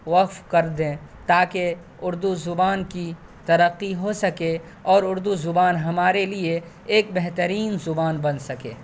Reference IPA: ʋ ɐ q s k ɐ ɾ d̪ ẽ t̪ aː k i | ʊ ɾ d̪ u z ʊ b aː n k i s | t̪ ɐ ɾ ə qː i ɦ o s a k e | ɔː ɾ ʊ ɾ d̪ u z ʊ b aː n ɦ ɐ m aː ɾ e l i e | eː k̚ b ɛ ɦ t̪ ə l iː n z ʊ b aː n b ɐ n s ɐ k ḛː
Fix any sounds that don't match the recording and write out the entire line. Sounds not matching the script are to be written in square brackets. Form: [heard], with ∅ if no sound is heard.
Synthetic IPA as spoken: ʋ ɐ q [f] k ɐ ɾ d̪ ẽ t̪ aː k [e] | ʊ ɾ d̪ u z ʊ b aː n k i [∅] | t̪ ɐ ɾ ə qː i ɦ o s [ɐ] k e | ɔː ɾ ʊ ɾ d̪ u z ʊ b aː n ɦ ɐ m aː ɾ e l i e | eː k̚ b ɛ ɦ t̪ ə [ɾ] iː n z ʊ b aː n b ɐ n s ɐ k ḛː